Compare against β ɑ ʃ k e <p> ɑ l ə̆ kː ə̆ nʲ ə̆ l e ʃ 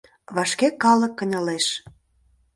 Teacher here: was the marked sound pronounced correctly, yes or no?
no